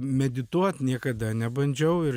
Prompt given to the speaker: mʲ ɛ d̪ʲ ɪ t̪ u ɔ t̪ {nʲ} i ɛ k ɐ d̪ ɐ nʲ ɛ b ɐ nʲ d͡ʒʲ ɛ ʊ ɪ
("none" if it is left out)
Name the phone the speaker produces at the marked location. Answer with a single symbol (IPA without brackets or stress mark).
nʲ